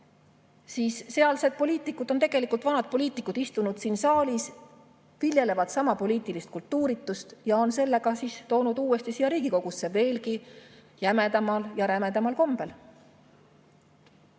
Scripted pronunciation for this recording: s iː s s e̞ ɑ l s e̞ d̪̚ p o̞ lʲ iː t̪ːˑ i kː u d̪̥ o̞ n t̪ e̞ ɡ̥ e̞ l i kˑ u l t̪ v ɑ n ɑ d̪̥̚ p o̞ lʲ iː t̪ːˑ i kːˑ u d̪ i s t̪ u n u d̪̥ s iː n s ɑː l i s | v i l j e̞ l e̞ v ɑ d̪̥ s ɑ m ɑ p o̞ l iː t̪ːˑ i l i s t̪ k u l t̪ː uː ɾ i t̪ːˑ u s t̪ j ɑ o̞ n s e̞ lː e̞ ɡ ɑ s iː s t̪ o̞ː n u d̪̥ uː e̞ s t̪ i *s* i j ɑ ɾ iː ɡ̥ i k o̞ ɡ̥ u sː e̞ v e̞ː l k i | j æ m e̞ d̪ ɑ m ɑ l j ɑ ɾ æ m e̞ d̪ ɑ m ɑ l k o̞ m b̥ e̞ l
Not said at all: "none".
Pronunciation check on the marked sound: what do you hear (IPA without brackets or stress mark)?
s